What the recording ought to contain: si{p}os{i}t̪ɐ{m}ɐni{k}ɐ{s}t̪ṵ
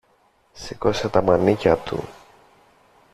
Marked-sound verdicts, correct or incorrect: incorrect: k, incorrect: e, correct, incorrect: c, incorrect: none

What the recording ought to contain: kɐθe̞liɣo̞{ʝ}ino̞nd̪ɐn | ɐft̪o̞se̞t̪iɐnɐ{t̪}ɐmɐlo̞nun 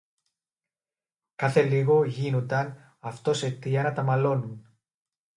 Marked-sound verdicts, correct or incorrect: correct, correct

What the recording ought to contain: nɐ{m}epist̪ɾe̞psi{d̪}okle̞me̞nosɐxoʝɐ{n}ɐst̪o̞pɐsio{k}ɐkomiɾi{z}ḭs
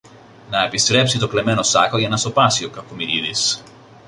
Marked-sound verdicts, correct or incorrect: incorrect: none, incorrect: t̪, correct, correct, incorrect: ð

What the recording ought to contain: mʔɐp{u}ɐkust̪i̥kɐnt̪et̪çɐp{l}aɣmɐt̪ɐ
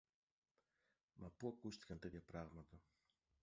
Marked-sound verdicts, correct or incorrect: correct, incorrect: ɾ

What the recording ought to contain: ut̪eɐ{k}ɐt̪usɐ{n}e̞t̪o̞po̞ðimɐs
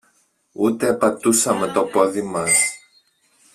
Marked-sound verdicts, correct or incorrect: incorrect: p, incorrect: m

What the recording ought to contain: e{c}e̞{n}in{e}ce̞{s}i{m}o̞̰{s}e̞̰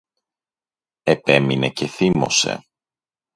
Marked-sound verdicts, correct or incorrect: incorrect: p, incorrect: m, correct, incorrect: θ, correct, correct

